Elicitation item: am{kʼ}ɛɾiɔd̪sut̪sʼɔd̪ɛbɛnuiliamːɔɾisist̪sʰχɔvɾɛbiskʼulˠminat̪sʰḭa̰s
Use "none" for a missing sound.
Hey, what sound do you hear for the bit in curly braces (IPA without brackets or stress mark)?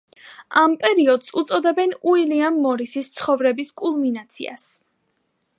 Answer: pʼ